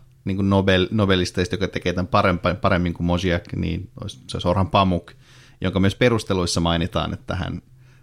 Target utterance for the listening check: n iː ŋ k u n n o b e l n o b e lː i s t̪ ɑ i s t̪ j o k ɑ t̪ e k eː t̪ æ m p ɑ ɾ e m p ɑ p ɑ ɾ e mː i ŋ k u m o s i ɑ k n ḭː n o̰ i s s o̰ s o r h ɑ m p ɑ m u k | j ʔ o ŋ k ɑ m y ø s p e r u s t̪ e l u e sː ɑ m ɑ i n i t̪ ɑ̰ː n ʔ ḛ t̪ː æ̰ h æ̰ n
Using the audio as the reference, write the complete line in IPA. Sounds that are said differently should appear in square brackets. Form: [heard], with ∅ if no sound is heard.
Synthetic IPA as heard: n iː ŋ k u n n o b e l n o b e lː i s t̪ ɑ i s t̪ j o k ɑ t̪ e k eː t̪ æ m p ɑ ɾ e m p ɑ p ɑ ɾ e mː i ŋ k u m o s i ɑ k n ḭː n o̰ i s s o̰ s o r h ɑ m p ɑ m u k | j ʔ o ŋ k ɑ m y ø s p e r u s t̪ e l u [i] sː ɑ m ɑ i n i t̪ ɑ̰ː n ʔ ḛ t̪ː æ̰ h æ̰ n